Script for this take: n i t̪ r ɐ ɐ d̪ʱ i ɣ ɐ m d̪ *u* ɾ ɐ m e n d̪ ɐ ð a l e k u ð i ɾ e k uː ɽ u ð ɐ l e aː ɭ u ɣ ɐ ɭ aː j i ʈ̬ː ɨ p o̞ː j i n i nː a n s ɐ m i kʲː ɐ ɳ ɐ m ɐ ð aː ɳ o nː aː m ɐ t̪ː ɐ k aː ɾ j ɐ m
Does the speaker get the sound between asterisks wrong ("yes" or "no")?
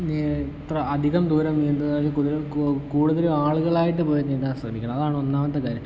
yes